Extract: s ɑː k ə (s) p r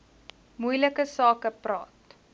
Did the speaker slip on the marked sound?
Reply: yes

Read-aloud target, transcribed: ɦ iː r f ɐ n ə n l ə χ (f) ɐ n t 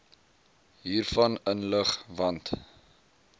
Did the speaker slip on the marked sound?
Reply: yes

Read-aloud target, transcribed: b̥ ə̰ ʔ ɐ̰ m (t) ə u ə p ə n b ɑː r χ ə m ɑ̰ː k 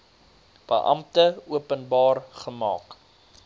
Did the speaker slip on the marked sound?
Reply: no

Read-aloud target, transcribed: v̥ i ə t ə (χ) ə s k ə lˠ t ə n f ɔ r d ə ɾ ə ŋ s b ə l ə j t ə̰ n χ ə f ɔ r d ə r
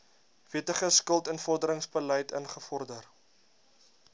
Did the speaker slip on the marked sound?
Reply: no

